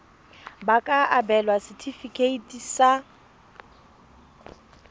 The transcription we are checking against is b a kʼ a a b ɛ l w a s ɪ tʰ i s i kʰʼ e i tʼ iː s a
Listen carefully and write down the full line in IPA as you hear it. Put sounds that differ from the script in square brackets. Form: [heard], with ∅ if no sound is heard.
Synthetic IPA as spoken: b a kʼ a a b ɛ l w a s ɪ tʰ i [f] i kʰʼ e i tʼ [i] s a